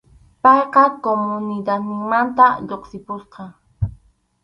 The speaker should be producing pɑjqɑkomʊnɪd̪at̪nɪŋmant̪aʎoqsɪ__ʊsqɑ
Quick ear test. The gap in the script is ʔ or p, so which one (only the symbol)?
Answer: p